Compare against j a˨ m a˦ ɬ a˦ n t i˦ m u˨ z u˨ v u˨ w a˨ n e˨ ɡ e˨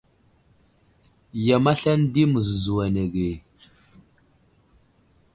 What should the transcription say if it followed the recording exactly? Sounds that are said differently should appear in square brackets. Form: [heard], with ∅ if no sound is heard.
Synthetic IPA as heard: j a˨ m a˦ ɬ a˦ n [d] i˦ m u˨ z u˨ [z] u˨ w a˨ n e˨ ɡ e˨